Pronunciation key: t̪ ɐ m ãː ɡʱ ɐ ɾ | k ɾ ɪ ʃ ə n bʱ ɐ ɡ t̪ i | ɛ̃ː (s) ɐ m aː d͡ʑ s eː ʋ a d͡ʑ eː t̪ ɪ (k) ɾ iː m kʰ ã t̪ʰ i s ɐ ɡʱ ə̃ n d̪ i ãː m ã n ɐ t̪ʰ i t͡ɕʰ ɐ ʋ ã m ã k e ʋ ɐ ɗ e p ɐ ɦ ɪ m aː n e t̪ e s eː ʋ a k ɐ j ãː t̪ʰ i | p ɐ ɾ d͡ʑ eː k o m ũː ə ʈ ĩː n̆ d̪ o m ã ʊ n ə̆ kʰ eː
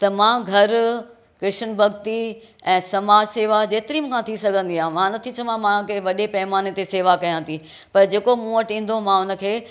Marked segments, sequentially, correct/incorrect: correct, incorrect: none

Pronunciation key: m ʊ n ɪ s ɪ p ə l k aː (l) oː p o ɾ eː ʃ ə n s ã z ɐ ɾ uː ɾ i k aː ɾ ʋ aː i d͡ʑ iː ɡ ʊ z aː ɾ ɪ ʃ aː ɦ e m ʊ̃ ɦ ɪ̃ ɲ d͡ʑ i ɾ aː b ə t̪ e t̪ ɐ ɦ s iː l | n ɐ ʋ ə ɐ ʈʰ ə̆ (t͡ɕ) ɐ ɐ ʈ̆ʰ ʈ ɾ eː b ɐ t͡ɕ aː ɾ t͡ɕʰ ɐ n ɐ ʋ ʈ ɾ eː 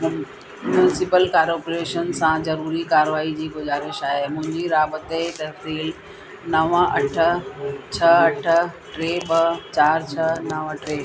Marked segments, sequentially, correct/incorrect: incorrect: ɾ, incorrect: t͡ɕʰ

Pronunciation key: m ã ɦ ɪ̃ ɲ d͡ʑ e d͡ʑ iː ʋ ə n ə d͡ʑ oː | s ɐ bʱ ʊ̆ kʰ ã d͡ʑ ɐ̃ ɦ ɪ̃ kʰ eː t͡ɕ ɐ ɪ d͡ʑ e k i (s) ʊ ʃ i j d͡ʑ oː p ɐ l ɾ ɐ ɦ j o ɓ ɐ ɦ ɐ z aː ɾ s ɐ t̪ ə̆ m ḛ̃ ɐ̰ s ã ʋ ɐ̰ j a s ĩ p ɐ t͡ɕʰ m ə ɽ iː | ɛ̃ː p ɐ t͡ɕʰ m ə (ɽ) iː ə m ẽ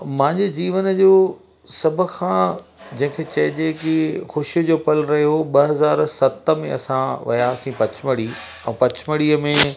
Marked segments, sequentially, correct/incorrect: incorrect: x, correct

